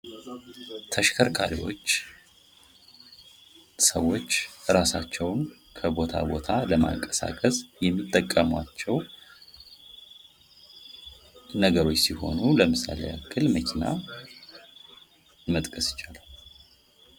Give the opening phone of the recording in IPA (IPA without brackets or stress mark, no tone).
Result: t̪ʰ